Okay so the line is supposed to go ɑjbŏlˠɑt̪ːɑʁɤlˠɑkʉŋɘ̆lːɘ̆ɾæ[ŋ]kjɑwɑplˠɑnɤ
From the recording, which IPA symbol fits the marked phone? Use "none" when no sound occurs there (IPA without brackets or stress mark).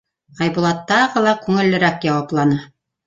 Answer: none